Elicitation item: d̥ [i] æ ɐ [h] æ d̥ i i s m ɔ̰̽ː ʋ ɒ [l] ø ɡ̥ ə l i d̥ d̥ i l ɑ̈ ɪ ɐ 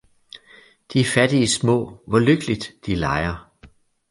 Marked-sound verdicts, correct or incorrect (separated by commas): correct, incorrect, correct